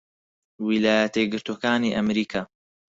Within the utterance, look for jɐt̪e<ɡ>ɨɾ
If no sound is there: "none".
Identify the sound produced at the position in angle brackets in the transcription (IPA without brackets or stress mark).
ɡ